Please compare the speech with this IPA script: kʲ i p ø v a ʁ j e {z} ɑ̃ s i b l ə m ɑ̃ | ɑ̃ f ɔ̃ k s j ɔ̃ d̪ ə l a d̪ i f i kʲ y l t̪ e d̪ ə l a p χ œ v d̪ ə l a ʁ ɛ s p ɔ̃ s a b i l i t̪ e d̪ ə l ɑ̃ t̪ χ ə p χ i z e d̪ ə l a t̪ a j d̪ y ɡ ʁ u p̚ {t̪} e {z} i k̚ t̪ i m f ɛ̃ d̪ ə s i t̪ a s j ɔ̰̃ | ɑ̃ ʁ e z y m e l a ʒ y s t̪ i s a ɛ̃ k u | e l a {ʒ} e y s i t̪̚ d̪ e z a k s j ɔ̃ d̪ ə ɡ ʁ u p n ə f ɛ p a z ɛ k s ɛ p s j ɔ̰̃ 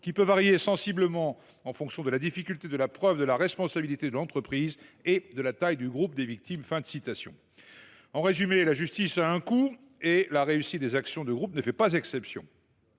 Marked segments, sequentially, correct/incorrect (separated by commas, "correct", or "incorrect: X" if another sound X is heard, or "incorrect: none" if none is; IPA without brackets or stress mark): incorrect: s, incorrect: d̪, incorrect: v, incorrect: ʁ